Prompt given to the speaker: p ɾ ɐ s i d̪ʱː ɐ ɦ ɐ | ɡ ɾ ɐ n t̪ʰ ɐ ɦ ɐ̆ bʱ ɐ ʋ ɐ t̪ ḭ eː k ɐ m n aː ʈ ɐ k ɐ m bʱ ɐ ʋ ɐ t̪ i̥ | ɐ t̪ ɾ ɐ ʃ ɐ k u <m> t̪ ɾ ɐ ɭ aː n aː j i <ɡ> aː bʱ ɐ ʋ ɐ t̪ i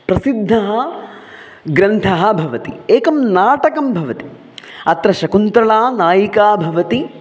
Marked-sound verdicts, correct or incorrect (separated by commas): incorrect, incorrect